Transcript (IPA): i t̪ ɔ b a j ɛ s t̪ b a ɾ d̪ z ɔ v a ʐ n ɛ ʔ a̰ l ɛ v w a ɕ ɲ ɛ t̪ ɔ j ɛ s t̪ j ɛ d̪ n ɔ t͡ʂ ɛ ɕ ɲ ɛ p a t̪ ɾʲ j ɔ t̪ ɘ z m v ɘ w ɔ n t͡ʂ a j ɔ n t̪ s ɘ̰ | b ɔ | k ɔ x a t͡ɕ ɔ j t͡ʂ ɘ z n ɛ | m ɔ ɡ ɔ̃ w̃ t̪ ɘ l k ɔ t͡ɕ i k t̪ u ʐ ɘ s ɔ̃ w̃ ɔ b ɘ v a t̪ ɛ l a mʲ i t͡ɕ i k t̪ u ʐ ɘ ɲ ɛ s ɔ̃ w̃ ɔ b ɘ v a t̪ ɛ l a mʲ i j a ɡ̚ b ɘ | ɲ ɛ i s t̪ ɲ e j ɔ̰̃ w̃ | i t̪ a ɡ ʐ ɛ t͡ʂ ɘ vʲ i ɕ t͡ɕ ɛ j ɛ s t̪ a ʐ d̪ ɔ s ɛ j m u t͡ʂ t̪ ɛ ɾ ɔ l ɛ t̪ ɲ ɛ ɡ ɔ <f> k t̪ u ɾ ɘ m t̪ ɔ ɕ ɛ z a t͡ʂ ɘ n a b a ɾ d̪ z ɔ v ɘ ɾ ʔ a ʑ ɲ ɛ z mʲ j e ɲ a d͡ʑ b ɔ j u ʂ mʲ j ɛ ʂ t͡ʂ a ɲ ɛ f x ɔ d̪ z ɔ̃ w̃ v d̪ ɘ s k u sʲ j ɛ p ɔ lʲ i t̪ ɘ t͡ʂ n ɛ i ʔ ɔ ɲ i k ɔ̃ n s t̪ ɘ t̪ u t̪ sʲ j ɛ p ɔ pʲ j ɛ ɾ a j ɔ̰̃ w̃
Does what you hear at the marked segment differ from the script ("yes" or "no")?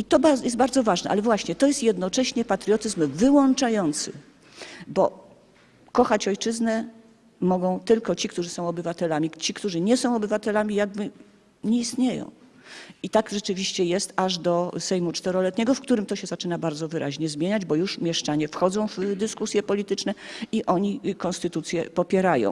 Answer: no